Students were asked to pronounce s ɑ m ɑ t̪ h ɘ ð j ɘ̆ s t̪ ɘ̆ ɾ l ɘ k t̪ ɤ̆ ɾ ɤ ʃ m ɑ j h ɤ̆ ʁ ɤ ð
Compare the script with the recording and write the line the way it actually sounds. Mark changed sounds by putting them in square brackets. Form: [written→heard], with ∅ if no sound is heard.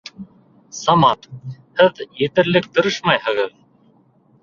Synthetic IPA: s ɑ m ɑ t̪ h ɘ ð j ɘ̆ [s→∅] t̪ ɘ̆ ɾ l ɘ k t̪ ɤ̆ ɾ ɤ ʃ m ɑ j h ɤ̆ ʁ ɤ ð